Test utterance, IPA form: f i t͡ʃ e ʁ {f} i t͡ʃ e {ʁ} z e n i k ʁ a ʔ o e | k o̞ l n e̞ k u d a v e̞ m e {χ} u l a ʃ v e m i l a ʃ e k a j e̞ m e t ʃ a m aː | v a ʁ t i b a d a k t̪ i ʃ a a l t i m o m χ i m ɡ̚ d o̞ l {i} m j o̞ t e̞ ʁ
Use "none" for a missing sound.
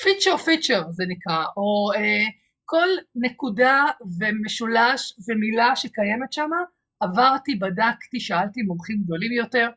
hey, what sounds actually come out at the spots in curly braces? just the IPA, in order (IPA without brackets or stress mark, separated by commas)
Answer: f, ʁ, ʃ, i